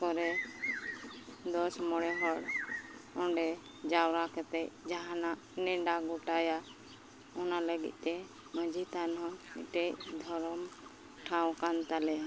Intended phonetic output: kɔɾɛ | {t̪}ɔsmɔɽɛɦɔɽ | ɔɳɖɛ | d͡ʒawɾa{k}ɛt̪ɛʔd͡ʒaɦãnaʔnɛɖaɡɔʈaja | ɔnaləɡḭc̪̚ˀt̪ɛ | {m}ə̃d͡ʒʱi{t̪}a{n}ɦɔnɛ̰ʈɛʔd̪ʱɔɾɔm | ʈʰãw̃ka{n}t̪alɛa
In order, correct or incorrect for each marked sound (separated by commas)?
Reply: incorrect, correct, correct, correct, correct, correct